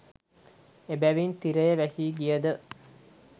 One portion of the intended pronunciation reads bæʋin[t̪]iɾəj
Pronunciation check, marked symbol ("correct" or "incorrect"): correct